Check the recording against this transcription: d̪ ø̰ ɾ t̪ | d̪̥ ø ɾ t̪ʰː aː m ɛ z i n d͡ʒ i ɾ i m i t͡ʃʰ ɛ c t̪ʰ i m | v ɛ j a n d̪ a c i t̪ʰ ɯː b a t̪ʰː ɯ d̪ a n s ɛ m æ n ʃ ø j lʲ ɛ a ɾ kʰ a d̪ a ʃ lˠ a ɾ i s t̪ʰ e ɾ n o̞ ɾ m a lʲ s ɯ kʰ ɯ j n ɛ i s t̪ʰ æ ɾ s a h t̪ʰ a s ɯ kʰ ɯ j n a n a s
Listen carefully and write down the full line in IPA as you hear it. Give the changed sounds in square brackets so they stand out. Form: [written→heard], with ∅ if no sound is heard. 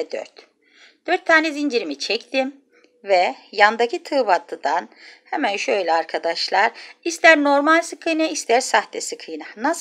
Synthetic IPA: d̪ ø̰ ɾ t̪ | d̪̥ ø ɾ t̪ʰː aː [m→n] ɛ z i n d͡ʒ i ɾ i m i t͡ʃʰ ɛ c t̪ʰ i m | v ɛ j a n d̪ a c i t̪ʰ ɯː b a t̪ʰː ɯ d̪ a n [s→h] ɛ m æ n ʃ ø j lʲ ɛ a ɾ kʰ a d̪ a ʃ lˠ a ɾ i s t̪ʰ [e→æ] ɾ n o̞ ɾ m a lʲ s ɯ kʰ ɯ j n [ɛ→a] i s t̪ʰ æ ɾ s a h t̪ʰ [a→ɛ] s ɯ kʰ ɯ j n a n a s

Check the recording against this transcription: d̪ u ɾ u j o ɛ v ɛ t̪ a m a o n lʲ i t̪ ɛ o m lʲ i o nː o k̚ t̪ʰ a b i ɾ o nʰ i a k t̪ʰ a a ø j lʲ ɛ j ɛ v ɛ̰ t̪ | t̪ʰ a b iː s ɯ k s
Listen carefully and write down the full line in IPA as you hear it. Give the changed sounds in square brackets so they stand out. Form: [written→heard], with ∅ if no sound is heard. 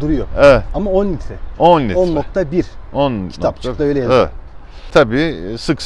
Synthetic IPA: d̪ u ɾ u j o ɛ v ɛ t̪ a m a o n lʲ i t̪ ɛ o [m→n] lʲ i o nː o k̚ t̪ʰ a b i ɾ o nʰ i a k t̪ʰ a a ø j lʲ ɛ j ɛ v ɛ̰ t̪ | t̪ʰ a b iː s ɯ k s

